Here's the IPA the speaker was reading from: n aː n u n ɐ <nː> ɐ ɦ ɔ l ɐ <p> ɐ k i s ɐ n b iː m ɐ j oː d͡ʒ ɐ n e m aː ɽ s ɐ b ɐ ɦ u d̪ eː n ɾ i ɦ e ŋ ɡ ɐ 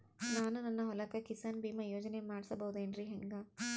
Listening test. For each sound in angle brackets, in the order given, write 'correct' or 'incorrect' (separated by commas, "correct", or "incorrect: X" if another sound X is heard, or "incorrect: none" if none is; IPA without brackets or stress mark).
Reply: correct, incorrect: k